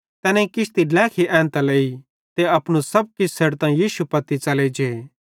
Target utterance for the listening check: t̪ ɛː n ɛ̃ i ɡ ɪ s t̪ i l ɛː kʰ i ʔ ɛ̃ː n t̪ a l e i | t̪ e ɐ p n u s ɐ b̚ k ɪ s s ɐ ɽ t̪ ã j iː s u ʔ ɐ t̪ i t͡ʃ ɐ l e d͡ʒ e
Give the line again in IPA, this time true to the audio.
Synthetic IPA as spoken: t̪ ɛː n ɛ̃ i k ɪ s t̪ i l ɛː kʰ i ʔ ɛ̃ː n t̪ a l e i | t̪ e ɐ p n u s ɐ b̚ k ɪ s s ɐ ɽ t̪ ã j iː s u p ɐ t̪ i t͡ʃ ɐ l e d͡ʒ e